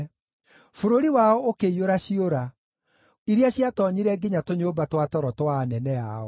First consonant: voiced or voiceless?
voiceless